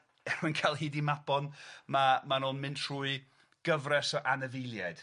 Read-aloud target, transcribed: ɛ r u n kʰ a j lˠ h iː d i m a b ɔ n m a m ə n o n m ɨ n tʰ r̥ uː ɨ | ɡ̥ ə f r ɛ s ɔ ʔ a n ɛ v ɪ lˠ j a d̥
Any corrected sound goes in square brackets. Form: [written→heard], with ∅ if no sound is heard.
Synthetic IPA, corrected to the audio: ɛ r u n kʰ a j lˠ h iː d i m a b ɔ n m a m [ə→a] n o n m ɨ n tʰ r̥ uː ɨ | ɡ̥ ə [f→v] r ɛ s ɔ ʔ a n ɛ v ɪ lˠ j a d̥